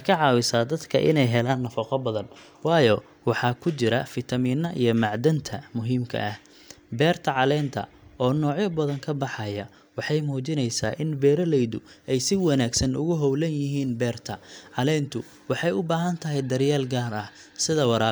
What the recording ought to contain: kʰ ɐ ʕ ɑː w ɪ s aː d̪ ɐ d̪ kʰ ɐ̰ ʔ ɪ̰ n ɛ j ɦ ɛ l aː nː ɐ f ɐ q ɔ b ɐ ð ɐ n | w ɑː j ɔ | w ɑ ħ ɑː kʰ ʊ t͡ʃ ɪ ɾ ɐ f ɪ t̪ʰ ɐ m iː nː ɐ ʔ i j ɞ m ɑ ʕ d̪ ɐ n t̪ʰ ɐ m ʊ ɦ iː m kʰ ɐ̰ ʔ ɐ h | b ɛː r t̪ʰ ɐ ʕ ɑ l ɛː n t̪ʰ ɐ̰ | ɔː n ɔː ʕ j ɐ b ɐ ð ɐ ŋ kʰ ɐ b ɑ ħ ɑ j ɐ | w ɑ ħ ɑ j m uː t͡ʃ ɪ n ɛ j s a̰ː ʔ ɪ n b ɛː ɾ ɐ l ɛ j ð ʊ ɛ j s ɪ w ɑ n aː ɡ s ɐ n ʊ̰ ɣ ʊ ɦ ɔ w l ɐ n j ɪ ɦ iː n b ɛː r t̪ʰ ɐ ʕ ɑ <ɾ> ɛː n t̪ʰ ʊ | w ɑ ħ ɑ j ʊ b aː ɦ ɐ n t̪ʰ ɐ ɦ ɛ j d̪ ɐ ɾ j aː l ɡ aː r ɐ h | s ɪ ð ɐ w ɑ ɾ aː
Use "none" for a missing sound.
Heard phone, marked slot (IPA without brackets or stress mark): l